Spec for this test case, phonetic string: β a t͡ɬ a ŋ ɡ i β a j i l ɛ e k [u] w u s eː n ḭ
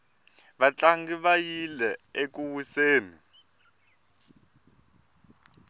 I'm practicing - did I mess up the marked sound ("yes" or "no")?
no